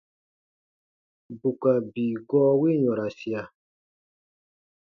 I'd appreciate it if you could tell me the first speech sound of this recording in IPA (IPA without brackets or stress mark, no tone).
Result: b